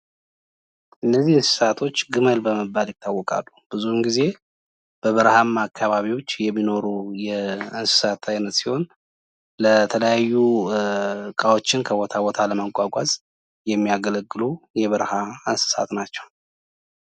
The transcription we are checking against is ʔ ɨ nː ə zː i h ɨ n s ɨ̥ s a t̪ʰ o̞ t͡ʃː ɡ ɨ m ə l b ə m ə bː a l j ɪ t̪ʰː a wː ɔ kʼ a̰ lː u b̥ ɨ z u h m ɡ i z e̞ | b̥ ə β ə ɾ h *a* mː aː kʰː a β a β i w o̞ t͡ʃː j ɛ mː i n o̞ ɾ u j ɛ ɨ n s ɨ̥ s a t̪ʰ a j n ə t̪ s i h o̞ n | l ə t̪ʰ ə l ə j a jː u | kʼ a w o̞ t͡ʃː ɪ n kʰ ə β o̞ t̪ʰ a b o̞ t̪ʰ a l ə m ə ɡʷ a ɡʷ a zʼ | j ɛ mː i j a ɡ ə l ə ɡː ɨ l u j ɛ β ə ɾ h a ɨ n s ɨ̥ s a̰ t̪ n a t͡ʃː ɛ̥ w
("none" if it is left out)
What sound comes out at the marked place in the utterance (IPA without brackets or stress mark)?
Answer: a